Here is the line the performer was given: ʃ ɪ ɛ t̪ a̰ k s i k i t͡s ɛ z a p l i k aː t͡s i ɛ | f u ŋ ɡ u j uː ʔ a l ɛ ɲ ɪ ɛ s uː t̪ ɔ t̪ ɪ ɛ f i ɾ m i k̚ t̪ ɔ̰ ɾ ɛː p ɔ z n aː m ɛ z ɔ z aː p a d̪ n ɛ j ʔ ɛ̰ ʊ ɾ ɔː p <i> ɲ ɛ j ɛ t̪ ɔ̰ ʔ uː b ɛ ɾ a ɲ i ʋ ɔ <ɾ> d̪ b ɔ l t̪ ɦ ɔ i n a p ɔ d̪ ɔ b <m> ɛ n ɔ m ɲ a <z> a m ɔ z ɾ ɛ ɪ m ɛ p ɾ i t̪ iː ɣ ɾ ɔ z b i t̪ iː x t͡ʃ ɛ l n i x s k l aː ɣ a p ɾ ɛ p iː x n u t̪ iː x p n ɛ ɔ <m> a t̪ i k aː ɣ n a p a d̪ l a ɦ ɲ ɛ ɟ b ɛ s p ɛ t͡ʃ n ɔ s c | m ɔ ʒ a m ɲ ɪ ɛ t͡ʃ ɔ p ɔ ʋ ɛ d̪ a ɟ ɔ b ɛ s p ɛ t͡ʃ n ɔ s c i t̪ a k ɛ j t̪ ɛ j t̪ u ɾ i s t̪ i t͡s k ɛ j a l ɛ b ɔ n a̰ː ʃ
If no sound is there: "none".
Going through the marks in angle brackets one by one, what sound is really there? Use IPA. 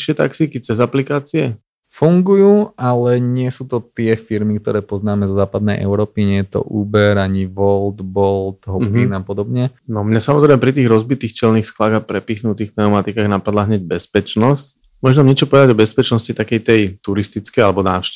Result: i, l, ɲ, s, m

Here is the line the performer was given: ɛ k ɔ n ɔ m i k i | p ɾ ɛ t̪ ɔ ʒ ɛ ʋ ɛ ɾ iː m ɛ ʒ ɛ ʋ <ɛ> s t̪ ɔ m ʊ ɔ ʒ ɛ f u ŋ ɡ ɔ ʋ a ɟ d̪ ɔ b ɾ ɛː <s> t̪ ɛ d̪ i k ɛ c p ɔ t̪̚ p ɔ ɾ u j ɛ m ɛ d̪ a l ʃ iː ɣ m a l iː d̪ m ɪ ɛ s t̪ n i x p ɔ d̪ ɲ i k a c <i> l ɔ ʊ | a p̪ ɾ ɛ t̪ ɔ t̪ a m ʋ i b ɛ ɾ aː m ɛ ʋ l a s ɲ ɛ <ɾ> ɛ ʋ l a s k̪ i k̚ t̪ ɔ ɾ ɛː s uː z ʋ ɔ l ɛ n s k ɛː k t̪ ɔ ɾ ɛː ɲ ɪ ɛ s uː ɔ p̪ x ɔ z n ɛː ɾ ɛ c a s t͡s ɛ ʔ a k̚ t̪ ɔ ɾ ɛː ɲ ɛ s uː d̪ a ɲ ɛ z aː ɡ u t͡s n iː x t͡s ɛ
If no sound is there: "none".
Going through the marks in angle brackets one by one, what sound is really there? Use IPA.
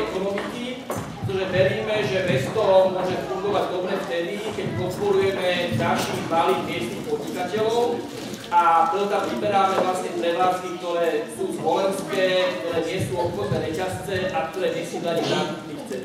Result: ɛ, f, ɛ, ɾ

